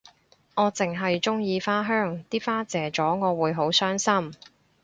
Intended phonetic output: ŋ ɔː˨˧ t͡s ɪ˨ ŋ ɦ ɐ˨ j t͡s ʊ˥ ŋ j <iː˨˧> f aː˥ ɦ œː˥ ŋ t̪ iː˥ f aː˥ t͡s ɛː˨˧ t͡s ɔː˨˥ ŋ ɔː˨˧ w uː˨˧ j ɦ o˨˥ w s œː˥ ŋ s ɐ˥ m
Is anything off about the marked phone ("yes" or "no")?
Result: no